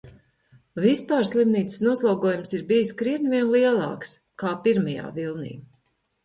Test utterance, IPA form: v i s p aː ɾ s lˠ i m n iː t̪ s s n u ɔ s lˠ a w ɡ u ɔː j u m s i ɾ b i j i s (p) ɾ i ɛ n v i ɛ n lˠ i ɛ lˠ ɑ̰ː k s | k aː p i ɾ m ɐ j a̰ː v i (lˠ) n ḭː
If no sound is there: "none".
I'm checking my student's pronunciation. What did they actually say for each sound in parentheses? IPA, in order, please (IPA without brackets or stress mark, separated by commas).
k, lˠ